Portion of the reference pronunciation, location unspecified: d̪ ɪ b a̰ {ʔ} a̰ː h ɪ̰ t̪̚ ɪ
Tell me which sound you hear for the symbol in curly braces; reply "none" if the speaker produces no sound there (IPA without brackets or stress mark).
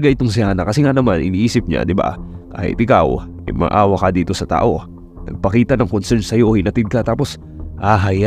k